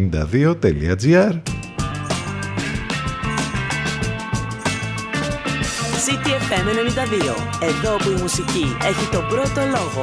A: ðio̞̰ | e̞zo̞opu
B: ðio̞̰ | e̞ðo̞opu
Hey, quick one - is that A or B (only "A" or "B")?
B